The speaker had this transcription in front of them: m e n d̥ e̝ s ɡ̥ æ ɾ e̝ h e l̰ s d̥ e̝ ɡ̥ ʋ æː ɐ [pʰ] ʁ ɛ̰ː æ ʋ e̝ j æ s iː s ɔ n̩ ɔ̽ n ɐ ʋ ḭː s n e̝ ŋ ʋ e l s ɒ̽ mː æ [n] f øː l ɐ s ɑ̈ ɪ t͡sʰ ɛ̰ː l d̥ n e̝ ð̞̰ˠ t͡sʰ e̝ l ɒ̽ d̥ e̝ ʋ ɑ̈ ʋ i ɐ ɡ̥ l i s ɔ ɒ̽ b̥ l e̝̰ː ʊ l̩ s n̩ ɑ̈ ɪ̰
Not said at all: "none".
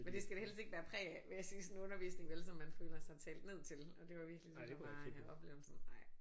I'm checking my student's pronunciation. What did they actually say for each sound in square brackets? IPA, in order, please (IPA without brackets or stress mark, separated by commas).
pʰ, n